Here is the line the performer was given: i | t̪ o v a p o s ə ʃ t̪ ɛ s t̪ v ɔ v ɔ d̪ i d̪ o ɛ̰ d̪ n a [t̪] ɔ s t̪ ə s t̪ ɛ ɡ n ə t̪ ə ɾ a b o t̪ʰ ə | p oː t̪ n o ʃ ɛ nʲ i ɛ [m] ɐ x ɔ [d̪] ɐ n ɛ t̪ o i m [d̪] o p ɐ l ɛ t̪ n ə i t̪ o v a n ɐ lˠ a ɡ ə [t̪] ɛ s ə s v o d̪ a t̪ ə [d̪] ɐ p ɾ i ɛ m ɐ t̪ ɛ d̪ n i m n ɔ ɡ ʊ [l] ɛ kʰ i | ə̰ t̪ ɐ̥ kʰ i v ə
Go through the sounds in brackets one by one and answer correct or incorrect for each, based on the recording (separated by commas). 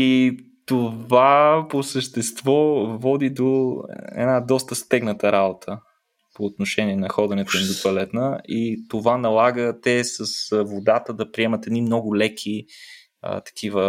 incorrect, incorrect, correct, correct, correct, correct, correct